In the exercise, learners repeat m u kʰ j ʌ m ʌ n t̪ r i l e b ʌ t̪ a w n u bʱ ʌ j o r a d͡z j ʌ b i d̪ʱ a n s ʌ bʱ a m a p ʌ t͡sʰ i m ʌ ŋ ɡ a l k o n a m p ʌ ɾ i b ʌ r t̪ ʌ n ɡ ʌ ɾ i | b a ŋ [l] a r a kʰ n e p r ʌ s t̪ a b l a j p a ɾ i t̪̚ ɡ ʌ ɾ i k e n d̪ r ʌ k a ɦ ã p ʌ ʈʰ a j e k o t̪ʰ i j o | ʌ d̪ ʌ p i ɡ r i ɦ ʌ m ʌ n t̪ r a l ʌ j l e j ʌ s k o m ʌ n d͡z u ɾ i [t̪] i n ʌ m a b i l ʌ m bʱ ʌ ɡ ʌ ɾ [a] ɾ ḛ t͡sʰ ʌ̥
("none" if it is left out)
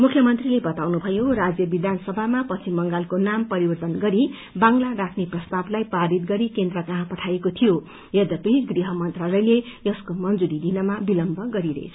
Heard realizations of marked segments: l, d̪, i

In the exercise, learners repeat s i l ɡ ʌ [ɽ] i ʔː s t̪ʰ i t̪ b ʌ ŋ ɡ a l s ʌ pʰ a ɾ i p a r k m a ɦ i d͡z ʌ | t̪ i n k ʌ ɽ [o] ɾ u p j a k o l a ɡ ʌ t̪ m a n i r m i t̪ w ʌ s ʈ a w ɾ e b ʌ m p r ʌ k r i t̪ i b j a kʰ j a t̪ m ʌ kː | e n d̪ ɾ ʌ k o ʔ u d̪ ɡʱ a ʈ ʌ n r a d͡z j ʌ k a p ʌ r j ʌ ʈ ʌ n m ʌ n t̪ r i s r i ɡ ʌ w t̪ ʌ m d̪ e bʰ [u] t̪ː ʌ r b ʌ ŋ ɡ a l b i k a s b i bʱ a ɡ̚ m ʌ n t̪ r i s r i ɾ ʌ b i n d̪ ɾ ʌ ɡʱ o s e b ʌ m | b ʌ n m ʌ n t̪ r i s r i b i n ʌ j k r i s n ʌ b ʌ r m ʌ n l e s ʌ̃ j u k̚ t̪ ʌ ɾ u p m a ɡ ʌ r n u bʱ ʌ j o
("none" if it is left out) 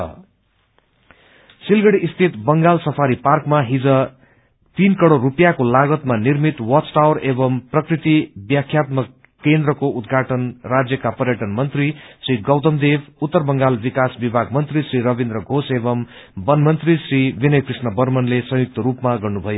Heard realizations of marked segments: ɽ, o, u

